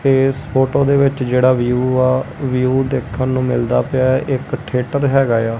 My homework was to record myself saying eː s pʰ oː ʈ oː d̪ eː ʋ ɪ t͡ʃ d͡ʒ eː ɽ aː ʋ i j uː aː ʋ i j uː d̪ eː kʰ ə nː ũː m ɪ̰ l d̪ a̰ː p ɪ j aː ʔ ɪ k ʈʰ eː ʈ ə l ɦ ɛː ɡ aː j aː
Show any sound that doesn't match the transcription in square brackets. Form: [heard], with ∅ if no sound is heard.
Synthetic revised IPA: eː s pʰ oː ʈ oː d̪ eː ʋ ɪ t͡ʃ d͡ʒ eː ɽ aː ʋ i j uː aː ʋ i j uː d̪ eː kʰ ə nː ũː m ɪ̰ l d̪ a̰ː p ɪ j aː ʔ ɪ k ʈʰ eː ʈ ə [ɾ] ɦ ɛː ɡ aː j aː